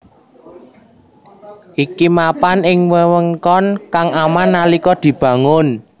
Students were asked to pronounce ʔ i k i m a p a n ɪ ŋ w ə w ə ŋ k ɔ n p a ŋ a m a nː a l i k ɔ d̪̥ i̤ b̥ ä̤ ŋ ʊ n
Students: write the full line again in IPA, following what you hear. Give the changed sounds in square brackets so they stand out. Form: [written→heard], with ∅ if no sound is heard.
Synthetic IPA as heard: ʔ i k i m a p a n ɪ ŋ w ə w ə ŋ k ɔ n [p→k] a ŋ a m a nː a l i k ɔ d̪̥ i̤ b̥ ä̤ ŋ ʊ n